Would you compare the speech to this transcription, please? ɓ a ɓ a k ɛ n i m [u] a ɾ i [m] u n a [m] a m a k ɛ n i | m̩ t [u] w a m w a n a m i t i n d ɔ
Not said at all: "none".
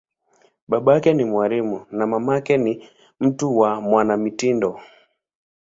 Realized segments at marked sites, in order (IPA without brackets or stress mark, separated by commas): w, m, m, u